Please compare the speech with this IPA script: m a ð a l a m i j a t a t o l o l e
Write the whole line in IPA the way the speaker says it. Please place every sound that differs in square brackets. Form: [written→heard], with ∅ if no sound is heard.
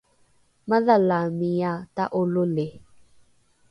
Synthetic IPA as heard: m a ð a l a m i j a t a [t→ʔ] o l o l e